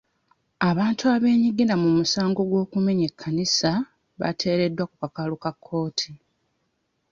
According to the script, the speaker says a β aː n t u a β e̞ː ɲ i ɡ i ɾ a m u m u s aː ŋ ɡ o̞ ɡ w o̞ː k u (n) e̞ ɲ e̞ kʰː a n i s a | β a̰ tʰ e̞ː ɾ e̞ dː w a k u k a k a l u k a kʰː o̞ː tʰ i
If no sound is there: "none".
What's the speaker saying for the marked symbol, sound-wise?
m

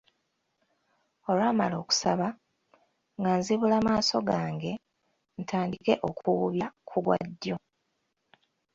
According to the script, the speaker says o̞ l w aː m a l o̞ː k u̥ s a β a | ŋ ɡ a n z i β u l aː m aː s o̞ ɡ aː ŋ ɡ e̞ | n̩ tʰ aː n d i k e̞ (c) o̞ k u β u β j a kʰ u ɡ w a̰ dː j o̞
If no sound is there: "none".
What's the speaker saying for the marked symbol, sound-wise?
ʔ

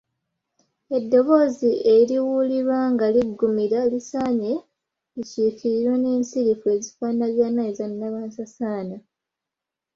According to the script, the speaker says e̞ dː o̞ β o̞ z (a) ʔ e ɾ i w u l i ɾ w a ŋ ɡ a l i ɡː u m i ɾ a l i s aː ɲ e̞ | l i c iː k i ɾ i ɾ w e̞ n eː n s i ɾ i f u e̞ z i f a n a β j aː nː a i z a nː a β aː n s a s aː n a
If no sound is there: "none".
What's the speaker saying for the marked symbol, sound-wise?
i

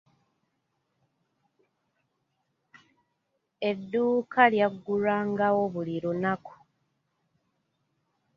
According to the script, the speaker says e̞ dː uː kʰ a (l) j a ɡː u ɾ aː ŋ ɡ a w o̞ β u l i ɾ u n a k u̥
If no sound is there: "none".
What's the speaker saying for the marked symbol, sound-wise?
l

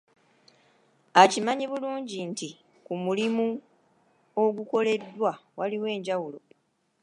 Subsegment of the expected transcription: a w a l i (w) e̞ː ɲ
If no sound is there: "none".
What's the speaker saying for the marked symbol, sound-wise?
w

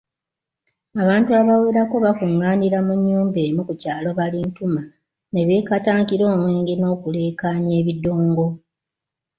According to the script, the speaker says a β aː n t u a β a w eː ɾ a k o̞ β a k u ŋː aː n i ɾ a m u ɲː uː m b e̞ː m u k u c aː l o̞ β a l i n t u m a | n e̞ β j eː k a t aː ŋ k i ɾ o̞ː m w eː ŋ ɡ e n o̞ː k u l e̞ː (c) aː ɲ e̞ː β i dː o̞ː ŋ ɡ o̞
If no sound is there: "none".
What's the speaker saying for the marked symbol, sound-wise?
k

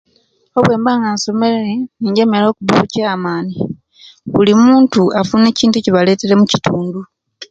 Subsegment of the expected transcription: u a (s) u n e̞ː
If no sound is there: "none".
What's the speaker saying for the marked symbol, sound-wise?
f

